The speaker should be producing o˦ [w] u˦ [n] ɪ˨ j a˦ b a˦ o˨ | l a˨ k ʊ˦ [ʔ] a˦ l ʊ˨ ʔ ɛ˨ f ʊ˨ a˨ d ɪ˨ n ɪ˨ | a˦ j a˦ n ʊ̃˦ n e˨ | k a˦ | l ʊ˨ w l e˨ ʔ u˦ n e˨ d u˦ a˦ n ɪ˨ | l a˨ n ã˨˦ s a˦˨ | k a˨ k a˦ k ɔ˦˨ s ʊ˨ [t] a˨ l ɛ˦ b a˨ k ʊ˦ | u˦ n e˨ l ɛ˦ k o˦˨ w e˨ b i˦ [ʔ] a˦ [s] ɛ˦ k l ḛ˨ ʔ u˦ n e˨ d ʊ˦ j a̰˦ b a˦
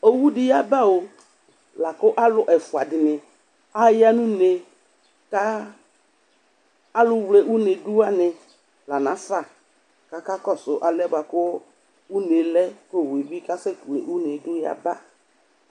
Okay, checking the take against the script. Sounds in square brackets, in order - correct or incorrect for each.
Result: correct, incorrect: d, correct, incorrect: ʔ, incorrect: k, correct

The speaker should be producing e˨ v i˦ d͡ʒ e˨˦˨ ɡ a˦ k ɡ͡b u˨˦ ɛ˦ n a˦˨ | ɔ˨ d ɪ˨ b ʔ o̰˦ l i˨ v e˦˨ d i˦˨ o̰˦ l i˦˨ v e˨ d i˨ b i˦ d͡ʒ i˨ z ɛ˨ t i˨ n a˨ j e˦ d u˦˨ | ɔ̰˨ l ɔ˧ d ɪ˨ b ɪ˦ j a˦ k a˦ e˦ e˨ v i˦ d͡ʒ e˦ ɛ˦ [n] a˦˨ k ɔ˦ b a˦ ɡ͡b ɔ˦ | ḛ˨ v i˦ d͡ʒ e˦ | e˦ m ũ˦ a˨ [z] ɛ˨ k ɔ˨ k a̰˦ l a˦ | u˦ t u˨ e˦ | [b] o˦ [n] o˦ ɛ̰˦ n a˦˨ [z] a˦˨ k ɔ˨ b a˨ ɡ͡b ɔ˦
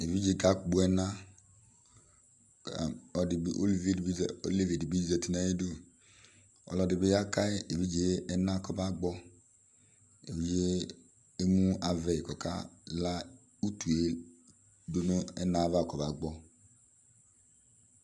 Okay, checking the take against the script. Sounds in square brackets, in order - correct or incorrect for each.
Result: correct, incorrect: v, incorrect: d, correct, incorrect: v

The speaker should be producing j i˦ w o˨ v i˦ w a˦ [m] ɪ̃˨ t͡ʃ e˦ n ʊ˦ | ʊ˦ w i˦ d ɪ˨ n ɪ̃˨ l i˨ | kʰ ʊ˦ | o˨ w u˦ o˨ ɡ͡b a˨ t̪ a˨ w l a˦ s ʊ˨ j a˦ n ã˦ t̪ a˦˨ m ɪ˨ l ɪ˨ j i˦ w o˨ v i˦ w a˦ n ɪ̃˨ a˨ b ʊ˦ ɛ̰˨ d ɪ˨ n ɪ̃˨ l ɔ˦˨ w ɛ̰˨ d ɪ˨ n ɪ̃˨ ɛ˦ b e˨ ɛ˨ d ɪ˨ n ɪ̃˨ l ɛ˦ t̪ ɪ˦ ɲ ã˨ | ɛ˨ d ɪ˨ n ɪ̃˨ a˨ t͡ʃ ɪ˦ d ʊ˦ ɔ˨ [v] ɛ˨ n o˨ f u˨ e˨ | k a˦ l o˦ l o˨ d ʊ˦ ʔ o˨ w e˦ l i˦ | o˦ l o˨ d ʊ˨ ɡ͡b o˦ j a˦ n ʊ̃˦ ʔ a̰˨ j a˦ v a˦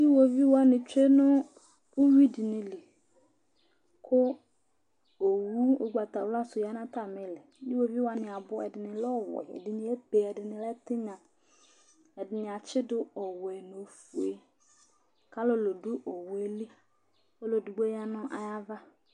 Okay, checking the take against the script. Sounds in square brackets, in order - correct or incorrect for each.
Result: incorrect: n, incorrect: w

